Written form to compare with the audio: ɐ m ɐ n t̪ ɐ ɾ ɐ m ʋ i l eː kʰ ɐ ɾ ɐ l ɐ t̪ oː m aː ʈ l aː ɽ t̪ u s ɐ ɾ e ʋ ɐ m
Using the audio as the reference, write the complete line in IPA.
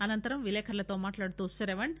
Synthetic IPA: ɐ n ɐ n t̪ ɐ ɾ ɐ m ʋ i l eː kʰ ɐ ɾ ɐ l ɐ t̪ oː m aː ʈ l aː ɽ t̪ u s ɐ ɾ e ʋ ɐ ɳ

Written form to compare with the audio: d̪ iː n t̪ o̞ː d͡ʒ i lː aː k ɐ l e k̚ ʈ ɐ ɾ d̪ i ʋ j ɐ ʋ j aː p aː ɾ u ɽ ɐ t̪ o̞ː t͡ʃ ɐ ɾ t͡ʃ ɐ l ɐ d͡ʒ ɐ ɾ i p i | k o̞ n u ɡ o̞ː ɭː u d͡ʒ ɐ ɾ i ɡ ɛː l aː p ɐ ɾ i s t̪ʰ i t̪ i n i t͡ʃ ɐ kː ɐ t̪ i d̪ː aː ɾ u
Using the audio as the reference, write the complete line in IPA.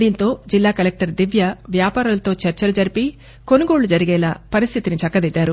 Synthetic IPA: d̪ iː n t̪ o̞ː d͡ʒ i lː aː k ɐ l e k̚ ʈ ɐ ɾ d̪ i ʋ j ɐ ʋ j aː p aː ɾ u l ɐ t̪ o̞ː t͡ʃ ɐ ɾ t͡ʃ ɐ l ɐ d͡ʒ ɐ ɾ i p i | k o̞ n u ɡ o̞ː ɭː u d͡ʒ ɐ ɾ i ɡ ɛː l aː p ɐ ɾ i s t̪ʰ i t̪ i n i t͡ʃ ɐ kː ɐ d̪ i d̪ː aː ɾ u

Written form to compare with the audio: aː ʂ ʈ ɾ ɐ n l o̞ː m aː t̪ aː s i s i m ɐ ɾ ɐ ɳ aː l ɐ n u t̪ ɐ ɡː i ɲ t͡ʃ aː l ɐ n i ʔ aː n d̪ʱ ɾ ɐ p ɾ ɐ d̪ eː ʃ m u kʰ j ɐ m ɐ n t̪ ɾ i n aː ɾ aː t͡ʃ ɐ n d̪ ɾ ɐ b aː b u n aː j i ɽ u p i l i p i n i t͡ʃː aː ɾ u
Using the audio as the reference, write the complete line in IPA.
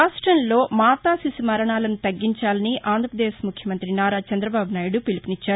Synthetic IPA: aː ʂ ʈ ɾ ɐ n l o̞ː m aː t̪ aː s i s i m ɐ ɾ ɐ ɳ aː l ɐ n u t̪ ɐ ɡː i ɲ t͡ʃ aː l ɐ n i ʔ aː n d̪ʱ ɾ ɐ p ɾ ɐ d̪ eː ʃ m u kʰ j ɐ m ɐ n t̪ ɾ i n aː ɾ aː t͡ʃ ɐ n d̪ ɾ ɐ b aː b u n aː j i ɽ u p i l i p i n i t͡ʃː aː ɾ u

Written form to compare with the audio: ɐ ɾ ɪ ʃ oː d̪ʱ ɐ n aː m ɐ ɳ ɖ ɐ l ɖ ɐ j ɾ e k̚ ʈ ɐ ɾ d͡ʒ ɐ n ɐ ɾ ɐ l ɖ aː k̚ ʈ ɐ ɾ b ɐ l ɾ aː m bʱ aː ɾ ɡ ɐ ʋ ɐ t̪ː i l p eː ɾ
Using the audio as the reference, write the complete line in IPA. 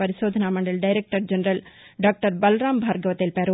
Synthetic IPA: ɐ ɾ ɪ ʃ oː d̪ʱ ɐ n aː m ɐ ɳ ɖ ɐ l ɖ ɐ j ɾ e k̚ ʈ ɐ ɾ d͡ʒ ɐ n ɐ ɾ ɐ l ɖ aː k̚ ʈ ɐ ɾ b ɐ l ɾ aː m bʱ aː ɾ ɡ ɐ ʋ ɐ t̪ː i l p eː ɾ

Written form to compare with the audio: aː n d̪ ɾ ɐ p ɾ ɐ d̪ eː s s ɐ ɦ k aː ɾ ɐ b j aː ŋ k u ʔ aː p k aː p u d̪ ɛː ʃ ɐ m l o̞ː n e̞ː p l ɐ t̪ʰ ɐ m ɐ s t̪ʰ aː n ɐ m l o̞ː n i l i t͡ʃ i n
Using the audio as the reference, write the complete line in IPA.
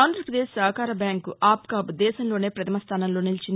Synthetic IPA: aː n d̪ ɾ ɐ p ɾ ɐ d̪ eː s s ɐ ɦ k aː ɾ ɐ b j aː ŋ k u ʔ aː p k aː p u d̪ ɛː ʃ ɐ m l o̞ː n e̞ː p ɾ ɐ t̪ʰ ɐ m ɐ s t̪ʰ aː n ɐ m l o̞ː n i l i t͡ʃ i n

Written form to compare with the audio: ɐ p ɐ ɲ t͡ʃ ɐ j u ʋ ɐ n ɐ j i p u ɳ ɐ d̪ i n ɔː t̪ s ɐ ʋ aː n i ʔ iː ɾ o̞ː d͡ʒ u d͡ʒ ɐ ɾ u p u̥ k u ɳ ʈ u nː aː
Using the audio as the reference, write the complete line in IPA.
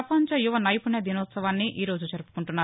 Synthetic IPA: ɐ p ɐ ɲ t͡ʃ ɐ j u ʋ ɐ n ɐ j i p u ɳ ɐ d̪ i n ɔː t̪ s ɐ ʋ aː nː i ʔ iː ɾ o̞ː d͡ʒ u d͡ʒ ɐ ɾ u p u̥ k u ɳ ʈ u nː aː

